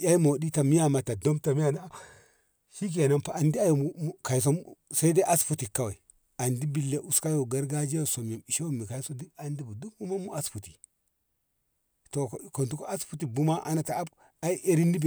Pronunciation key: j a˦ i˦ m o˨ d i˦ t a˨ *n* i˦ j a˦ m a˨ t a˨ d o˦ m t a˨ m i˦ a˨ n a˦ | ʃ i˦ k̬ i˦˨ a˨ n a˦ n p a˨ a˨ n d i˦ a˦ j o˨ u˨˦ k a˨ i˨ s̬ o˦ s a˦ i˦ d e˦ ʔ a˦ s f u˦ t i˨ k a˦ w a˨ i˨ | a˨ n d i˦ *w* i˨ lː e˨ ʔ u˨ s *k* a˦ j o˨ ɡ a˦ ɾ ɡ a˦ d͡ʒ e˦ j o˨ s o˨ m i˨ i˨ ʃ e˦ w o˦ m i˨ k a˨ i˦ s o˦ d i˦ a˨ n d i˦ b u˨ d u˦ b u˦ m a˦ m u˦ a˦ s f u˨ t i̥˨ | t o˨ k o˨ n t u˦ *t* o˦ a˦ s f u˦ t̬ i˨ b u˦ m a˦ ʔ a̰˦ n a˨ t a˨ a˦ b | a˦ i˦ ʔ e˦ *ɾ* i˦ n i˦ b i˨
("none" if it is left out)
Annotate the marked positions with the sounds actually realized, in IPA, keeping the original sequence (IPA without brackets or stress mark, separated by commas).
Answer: m, b, k, k, ɾ